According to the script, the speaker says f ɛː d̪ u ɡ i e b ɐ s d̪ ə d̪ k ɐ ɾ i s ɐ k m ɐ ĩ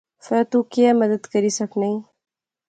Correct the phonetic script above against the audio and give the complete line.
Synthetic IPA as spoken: f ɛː t̪ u k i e m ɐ d̪ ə d̪ k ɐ ɾ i s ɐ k n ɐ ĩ